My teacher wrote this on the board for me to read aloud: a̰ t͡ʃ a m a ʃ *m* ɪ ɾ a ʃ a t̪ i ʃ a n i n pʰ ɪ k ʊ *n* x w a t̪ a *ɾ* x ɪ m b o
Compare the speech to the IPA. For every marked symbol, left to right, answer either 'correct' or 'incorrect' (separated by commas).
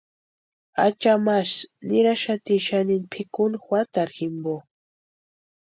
incorrect, correct, correct